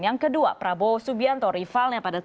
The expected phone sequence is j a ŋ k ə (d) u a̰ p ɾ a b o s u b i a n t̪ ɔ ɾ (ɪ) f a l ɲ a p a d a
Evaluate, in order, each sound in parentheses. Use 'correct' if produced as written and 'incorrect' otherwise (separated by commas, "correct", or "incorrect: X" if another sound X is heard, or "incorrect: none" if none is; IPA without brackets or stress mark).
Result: correct, incorrect: i